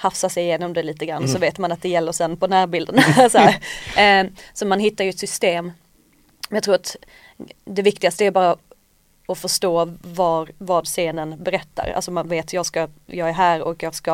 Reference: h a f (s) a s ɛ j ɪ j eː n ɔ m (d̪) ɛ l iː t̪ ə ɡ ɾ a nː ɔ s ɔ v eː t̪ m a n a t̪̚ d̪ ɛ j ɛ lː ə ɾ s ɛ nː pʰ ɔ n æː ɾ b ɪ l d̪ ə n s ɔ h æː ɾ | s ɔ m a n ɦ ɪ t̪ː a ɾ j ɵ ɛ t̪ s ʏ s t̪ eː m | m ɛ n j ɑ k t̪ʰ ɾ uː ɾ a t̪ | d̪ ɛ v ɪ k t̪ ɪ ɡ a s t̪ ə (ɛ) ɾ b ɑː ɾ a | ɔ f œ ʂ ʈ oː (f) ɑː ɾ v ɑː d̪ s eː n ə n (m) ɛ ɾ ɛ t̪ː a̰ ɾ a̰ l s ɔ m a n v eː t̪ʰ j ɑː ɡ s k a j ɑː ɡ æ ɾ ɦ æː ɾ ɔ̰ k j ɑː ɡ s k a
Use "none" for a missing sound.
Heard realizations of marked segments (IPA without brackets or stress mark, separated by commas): s, d̪, æ, v, b